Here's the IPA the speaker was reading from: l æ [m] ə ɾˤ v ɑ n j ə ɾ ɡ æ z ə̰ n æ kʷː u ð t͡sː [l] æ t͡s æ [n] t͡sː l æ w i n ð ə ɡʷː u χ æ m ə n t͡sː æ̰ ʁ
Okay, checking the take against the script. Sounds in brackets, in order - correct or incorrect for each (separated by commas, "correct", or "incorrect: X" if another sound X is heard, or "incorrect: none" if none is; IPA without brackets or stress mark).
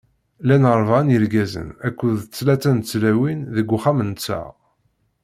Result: incorrect: n, correct, correct